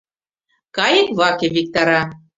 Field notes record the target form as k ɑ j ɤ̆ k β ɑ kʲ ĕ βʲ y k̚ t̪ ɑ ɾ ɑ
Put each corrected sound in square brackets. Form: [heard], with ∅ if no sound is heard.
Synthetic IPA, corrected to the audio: k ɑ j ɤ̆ k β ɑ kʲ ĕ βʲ [i] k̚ t̪ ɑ ɾ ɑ